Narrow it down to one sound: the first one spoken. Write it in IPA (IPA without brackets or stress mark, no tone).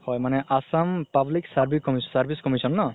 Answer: h